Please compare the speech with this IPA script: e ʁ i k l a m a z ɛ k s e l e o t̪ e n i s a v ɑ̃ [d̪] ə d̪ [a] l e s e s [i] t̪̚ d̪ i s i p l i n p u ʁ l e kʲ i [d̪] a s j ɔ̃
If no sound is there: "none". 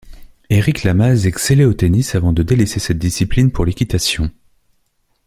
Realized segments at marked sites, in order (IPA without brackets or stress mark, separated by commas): d̪, e, ɛ, t̪